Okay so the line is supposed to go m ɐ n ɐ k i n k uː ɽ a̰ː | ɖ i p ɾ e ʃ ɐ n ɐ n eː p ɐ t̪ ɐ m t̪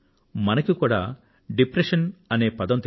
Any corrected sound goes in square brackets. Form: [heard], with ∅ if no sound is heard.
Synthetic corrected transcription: m ɐ n ɐ k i [∅] k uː ɽ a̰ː | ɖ i p ɾ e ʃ ɐ n ɐ n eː p ɐ [d̪] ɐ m t̪